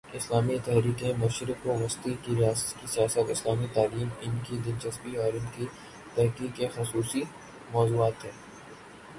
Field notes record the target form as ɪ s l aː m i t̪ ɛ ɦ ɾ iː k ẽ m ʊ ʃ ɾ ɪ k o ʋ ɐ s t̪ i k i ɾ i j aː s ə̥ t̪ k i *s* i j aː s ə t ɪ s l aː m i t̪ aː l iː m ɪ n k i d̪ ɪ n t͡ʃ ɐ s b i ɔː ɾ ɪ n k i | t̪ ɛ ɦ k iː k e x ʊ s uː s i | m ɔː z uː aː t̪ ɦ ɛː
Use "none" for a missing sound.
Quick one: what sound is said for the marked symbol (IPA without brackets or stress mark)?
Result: s